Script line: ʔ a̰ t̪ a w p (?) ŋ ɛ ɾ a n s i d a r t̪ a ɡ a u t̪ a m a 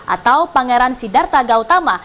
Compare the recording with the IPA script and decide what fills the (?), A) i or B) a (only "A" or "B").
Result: B